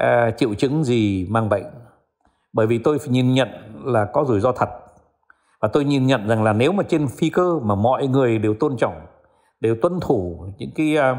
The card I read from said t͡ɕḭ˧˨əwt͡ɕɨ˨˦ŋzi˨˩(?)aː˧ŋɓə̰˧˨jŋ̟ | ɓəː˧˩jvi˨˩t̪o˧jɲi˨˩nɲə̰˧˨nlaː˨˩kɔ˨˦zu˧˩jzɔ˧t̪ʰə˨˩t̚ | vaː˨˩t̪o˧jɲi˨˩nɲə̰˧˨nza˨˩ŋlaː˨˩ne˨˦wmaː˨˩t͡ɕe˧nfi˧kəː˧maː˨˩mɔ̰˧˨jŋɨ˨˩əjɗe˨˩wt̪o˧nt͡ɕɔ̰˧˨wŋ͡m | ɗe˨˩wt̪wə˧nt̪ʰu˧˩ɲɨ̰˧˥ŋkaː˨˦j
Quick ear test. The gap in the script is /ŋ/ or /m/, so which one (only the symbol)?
m